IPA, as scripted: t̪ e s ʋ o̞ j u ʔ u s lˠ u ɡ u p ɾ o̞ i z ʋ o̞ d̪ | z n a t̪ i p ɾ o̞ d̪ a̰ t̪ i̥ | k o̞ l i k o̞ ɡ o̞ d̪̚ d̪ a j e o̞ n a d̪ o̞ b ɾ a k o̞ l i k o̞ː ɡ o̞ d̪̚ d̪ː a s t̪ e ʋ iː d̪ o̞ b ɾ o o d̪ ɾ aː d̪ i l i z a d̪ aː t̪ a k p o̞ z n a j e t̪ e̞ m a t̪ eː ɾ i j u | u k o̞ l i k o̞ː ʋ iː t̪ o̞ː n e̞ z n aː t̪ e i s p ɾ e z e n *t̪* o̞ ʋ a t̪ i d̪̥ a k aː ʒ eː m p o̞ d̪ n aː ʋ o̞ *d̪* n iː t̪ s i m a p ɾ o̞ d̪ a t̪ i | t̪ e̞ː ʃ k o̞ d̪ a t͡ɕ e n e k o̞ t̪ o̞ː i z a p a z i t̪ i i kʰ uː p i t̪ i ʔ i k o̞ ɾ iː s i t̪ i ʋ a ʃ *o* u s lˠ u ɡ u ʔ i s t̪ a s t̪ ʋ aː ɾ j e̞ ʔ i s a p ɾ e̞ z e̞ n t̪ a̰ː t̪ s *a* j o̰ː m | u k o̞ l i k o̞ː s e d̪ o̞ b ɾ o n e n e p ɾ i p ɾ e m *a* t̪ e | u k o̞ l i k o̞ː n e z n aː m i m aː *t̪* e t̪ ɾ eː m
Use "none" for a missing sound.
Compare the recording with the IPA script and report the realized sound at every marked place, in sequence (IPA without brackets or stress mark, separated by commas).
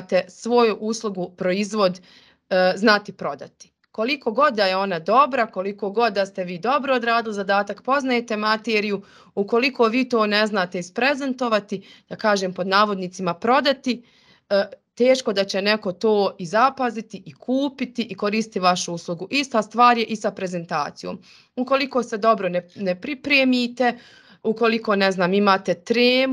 t̪, d̪, u, i, i, t̪